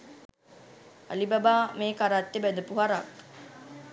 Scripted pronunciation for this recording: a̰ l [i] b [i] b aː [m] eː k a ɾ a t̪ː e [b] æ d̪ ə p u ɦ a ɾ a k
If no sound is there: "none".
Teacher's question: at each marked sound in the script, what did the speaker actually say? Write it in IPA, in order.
i, a, m, b

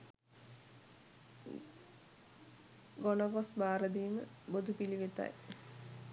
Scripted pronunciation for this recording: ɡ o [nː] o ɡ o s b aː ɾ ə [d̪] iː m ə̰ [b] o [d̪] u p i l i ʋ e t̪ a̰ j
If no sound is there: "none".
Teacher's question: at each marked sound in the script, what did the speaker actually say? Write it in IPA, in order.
n, d̪, b, d̪

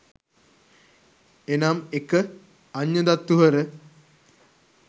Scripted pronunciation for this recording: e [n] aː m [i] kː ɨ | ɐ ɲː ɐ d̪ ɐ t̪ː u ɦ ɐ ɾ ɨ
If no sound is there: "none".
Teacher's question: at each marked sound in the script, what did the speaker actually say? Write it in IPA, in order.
n, e

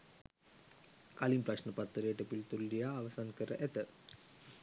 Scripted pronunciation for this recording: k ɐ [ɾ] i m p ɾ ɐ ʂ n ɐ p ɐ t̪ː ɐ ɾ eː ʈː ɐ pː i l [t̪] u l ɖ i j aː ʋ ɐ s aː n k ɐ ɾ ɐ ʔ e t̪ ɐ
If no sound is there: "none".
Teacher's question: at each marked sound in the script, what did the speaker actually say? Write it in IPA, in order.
l, t̪

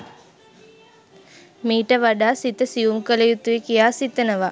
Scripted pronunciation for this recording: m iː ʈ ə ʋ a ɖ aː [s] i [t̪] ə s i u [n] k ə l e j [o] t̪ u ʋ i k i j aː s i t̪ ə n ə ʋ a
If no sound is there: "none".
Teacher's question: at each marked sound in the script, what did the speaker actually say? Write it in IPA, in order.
s, t̪, m, u

